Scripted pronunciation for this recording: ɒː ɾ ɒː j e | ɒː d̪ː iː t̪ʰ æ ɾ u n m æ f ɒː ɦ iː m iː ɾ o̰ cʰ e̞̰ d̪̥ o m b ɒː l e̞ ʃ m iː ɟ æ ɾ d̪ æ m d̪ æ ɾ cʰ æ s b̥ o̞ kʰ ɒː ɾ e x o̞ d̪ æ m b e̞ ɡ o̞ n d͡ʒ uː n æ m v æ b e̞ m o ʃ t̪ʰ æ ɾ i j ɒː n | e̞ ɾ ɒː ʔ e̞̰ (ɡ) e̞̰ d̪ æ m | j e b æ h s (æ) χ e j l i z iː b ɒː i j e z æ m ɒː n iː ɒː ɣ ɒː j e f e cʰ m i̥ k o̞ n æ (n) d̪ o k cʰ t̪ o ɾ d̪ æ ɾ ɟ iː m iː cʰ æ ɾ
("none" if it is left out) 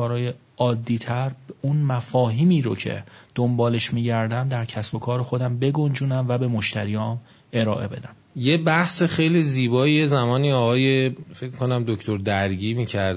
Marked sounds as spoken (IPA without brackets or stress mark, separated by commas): b, e, m